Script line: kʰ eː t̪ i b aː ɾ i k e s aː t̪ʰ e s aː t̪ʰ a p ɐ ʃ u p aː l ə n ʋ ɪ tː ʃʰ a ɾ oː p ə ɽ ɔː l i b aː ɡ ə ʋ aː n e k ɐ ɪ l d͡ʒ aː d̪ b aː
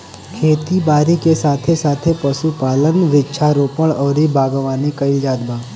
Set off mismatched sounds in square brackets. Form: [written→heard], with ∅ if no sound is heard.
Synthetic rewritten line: kʰ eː t̪ i b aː ɾ i k e s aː t̪ʰ e s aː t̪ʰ [a→e] p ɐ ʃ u p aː l ə n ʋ ɪ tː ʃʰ a ɾ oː p ə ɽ ɔː [l→ɾ] i b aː ɡ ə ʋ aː n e k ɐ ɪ l d͡ʒ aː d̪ b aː